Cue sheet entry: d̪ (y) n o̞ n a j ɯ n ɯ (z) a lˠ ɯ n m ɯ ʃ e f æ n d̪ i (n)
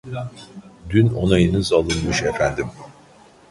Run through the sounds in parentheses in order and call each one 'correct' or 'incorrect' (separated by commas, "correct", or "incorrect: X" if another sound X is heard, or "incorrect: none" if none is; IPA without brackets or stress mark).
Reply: correct, correct, incorrect: m